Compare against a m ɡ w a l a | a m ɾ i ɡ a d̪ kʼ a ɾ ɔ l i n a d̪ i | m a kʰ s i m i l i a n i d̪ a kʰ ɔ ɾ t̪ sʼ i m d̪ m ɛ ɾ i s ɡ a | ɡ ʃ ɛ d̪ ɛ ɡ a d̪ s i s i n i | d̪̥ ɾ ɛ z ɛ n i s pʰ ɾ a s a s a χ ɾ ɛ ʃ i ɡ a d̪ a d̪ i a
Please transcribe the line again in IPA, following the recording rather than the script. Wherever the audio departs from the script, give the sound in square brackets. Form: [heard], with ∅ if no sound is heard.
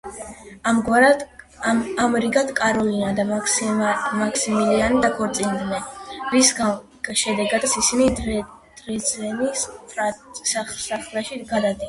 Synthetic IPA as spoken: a m ɡ w a [ɾ] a | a m ɾ i ɡ a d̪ kʼ a ɾ ɔ l i n a d̪ [a] | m a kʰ s i m i l i a n i d̪ a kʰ ɔ ɾ t̪ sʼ i [n] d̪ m ɛ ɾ i s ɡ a | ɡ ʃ ɛ d̪ ɛ ɡ a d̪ s i s i n i | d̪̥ ɾ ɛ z ɛ n i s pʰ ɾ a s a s a χ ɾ ɛ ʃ i ɡ a d̪ a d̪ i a